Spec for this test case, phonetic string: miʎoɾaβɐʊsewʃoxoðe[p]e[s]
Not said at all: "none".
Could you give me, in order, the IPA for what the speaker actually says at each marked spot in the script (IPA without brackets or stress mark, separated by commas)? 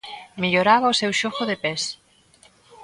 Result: p, s